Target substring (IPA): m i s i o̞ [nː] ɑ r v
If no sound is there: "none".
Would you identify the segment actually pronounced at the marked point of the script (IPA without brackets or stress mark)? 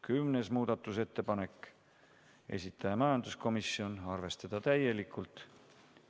n